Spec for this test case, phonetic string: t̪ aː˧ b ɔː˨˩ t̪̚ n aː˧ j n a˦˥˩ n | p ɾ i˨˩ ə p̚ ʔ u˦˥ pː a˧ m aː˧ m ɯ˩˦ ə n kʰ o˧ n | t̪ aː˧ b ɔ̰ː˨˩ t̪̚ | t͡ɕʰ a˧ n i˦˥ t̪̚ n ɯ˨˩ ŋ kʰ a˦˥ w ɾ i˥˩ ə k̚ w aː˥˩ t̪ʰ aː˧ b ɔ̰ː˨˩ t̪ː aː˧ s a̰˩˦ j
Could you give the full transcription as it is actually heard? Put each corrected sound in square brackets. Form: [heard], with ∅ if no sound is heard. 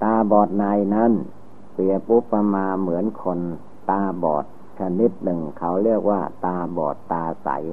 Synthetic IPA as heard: t̪ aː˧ b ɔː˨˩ t̪̚ n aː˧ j n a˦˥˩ n | p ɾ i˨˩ ə p̚ ʔ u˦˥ pː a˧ m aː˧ m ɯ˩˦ ə n kʰ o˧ n | t̪ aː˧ b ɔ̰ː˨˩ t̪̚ | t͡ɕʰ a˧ n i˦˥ t̪̚ n ɯ˨˩ ŋ kʰ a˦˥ w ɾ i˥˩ ə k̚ w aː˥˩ [t̪] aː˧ b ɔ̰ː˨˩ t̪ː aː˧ s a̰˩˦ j